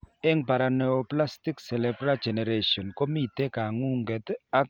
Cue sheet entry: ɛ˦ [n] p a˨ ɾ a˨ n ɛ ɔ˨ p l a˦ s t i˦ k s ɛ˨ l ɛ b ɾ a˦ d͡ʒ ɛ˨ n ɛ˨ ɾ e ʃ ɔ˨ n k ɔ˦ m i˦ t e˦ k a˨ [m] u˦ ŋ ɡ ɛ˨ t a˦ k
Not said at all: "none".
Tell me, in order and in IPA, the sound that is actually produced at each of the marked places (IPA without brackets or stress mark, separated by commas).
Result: ŋ, ŋ